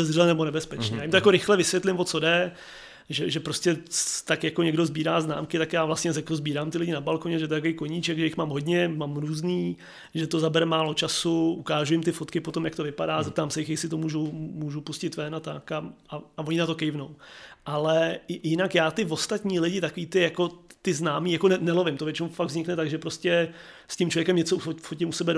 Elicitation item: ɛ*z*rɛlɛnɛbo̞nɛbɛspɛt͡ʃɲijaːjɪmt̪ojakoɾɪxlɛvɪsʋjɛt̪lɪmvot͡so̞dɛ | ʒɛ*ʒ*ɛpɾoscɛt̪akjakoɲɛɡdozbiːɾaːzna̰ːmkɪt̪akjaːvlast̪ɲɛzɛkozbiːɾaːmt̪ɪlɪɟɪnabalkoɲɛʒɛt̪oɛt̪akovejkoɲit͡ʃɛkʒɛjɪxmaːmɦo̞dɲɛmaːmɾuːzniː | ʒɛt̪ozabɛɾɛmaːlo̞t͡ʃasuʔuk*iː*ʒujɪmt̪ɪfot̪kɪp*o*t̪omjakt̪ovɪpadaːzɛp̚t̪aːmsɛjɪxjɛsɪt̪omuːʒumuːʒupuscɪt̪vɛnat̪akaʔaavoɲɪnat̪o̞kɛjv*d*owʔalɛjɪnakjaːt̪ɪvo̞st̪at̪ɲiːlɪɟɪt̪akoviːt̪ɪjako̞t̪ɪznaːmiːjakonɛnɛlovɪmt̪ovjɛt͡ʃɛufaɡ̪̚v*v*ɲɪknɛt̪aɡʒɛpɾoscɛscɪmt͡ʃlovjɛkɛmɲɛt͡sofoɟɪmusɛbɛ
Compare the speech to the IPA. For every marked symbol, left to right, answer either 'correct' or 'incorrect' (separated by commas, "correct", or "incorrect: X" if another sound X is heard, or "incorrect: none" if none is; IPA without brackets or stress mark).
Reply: correct, correct, incorrect: aː, correct, incorrect: n, incorrect: z